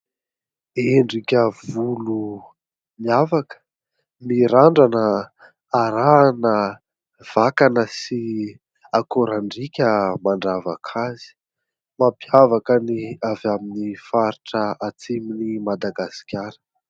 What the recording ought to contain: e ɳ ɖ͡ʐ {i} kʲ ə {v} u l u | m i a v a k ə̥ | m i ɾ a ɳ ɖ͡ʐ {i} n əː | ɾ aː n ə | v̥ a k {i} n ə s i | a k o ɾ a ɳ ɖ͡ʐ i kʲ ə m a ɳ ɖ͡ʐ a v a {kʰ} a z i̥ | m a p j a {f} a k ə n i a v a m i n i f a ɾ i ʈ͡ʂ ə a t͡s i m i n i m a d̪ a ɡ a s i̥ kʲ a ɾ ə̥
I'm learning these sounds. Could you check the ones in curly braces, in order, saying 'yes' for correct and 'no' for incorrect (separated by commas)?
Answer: yes, yes, no, no, yes, no